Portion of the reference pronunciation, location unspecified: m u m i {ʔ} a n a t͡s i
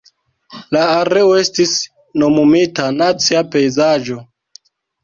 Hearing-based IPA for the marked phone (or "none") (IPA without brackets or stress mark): t